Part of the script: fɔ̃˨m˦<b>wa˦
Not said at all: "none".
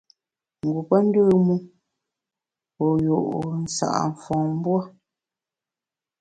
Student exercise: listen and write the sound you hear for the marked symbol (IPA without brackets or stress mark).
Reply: b